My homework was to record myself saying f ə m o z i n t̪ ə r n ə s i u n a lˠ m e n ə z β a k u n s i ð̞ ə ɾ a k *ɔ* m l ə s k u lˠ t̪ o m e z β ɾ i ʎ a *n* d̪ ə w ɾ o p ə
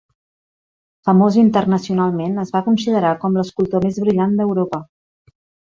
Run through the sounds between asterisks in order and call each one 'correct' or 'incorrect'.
correct, correct

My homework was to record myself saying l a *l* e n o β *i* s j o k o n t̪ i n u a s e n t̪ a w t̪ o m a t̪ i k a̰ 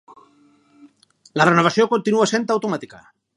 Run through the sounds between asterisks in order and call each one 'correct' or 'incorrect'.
incorrect, incorrect

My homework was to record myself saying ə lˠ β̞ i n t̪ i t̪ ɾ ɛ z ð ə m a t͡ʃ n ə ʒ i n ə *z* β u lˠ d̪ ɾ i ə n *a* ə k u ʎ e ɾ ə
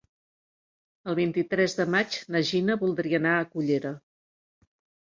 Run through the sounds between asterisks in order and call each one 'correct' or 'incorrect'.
incorrect, correct

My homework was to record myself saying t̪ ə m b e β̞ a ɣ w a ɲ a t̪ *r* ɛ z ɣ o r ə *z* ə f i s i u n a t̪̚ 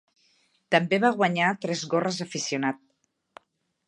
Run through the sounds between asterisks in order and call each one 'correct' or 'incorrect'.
incorrect, correct

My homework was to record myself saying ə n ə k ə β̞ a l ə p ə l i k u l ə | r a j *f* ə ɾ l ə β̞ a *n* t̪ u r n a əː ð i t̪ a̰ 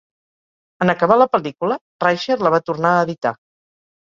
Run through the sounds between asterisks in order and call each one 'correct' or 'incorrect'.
incorrect, incorrect

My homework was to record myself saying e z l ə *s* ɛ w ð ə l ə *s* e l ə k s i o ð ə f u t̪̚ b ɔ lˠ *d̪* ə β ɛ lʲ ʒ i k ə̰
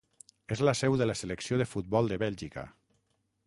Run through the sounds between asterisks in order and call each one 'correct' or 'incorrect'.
correct, correct, correct

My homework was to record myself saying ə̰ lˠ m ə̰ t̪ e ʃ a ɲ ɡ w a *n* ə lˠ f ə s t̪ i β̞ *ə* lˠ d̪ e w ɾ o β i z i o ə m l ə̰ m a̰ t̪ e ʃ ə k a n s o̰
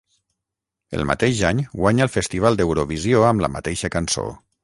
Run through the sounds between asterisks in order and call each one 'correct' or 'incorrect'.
incorrect, incorrect

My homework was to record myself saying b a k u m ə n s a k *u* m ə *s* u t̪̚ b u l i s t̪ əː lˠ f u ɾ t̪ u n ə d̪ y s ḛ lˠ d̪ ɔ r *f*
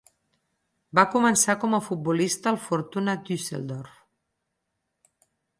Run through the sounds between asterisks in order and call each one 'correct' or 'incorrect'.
incorrect, incorrect, correct

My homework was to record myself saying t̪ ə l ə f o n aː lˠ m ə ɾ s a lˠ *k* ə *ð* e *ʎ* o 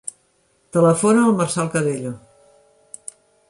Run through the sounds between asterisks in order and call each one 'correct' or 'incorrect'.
correct, correct, correct

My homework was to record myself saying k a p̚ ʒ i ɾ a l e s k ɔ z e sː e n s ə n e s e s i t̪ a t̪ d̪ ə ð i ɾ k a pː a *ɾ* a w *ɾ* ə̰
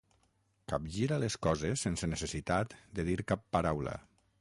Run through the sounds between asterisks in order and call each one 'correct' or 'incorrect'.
correct, incorrect

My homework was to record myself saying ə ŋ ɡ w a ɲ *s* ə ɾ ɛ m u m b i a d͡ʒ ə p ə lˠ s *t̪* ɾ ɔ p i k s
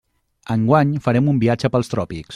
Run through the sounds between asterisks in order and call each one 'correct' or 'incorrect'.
incorrect, correct

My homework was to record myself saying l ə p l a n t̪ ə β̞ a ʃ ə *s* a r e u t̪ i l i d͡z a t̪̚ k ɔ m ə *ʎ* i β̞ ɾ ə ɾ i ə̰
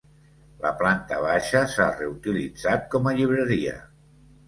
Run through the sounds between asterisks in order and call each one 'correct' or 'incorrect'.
correct, correct

